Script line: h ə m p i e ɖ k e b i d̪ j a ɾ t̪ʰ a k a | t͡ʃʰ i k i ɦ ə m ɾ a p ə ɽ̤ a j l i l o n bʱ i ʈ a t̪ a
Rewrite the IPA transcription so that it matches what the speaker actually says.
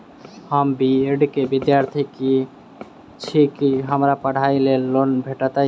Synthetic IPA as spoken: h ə m b i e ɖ k e b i d̪ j a ɾ t̪ʰ i k i | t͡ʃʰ i k i ɦ ə m ɾ a p ə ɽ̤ a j l e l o n bʱ e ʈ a t̪ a